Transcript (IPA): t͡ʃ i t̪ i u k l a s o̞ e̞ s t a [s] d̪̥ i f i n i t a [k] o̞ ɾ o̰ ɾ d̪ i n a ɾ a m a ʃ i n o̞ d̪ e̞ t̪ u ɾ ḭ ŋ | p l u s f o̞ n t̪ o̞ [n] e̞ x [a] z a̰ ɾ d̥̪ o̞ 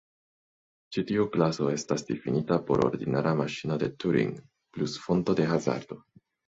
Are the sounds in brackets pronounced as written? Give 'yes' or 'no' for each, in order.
yes, no, no, yes

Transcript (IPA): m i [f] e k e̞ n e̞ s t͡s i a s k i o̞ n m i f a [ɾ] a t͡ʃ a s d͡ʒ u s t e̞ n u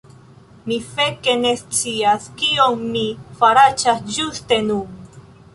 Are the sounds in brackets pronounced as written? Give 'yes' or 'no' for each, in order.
yes, yes

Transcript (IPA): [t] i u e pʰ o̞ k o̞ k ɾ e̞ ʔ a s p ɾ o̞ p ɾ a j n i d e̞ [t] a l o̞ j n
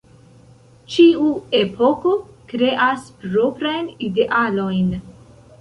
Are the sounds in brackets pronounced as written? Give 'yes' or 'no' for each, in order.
no, no

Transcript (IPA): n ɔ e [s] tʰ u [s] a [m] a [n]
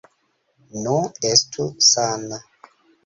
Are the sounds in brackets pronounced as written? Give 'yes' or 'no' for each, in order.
yes, yes, no, no

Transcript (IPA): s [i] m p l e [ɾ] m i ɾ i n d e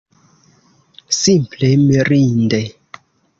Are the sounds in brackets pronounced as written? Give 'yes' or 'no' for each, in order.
yes, no

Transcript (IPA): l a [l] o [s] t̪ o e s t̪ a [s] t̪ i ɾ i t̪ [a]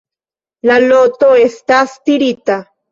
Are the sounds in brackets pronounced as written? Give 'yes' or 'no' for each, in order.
yes, no, yes, yes

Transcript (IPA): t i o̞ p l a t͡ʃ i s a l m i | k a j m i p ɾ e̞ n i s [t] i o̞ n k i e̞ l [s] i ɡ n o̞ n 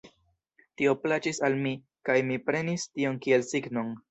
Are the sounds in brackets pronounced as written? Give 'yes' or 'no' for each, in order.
yes, yes

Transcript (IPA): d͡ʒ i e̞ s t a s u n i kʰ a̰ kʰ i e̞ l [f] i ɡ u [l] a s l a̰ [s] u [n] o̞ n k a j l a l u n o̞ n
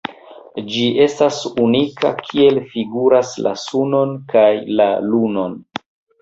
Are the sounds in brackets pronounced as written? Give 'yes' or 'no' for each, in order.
yes, no, yes, yes

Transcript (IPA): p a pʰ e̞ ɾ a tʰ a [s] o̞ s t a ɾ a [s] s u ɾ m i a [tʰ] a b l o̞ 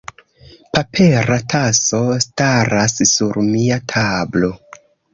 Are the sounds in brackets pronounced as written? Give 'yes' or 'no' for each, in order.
yes, yes, yes

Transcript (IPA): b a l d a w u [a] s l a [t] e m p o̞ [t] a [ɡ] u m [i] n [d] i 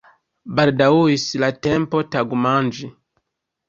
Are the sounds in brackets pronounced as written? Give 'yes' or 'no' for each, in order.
no, yes, yes, yes, no, no

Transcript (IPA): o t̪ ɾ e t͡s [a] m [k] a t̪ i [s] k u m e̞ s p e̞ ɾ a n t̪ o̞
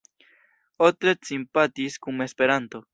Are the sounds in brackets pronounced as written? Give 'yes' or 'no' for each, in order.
no, no, yes

